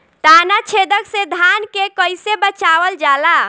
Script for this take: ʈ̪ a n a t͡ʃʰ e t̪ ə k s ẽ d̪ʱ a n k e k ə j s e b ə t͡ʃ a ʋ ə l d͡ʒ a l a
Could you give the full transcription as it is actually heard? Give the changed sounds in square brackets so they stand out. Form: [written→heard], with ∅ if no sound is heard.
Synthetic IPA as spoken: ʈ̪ a n a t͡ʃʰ e [t̪→d̪] ə k s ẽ d̪ʱ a n k e k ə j s e b ə t͡ʃ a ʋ ə l d͡ʒ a l a